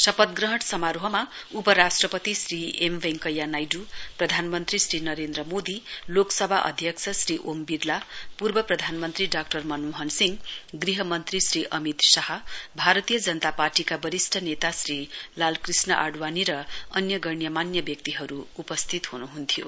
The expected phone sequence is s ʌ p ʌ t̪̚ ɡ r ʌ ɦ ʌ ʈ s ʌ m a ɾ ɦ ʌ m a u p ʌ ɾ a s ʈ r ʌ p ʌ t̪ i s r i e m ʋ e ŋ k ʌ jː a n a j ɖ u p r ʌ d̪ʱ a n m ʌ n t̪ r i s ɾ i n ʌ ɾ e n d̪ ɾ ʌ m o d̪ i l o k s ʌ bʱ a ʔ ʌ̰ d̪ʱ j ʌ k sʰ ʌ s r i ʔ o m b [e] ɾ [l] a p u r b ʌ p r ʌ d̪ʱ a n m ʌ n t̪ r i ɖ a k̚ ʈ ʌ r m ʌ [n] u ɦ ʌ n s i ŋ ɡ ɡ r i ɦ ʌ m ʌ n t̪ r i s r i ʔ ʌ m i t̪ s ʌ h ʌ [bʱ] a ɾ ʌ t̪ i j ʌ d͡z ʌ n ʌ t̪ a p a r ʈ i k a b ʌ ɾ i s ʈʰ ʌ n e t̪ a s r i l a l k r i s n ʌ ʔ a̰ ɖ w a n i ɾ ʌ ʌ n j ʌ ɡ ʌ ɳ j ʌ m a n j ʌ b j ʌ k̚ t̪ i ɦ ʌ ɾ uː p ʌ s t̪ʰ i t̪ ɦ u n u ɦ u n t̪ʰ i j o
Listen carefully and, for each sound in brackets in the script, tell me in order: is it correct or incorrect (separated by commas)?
incorrect, correct, correct, correct